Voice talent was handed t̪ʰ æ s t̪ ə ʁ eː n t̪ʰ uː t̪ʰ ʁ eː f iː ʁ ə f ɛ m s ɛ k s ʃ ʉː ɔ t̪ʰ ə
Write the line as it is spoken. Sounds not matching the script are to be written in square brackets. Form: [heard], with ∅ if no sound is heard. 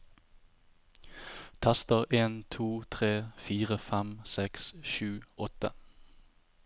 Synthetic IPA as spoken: t̪ʰ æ s t̪ ə ʁ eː n t̪ʰ uː t̪ʰ ʁ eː f iː ʁ ə f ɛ m s ɛ k s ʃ ʉː ɔ [t̪] ə